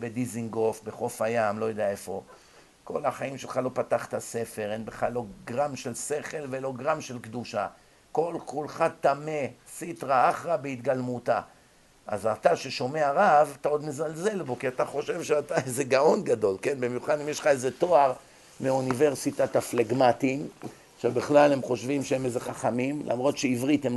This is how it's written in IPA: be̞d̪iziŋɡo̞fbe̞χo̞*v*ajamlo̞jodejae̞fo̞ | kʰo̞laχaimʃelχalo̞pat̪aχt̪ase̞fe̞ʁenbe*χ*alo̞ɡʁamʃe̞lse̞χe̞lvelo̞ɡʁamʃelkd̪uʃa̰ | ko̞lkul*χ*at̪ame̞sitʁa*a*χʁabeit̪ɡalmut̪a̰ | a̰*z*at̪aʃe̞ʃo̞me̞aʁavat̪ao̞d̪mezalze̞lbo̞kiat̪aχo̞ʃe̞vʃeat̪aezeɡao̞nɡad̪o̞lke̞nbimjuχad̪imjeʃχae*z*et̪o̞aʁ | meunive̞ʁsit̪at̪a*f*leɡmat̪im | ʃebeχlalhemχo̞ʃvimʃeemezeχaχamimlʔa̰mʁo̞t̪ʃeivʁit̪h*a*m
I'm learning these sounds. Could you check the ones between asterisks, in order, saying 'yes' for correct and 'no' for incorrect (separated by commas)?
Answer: no, yes, yes, yes, yes, yes, yes, no